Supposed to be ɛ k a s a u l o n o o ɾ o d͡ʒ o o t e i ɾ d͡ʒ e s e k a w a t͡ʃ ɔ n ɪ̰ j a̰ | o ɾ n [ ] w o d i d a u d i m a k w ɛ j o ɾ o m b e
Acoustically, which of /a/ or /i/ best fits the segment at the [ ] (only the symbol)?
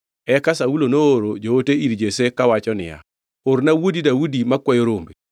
a